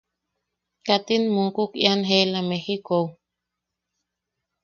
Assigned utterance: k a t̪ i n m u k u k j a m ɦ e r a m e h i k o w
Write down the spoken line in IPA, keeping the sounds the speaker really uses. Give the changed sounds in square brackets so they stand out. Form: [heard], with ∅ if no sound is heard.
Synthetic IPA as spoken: k a t̪ i n m u k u k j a [n] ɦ e [l] a m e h i k o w